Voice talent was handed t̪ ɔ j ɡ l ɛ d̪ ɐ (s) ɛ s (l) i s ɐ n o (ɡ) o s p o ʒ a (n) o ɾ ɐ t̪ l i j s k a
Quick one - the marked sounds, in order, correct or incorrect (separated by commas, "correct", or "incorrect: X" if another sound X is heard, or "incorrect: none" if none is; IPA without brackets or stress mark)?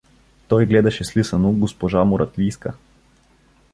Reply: incorrect: ʃ, correct, correct, incorrect: m